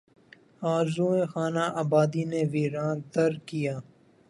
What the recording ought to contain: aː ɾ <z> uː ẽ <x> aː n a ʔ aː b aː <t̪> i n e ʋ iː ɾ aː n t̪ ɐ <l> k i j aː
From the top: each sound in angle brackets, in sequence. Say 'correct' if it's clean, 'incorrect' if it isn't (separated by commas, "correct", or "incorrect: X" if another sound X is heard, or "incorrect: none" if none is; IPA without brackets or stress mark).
correct, correct, incorrect: d̪, incorrect: ɾ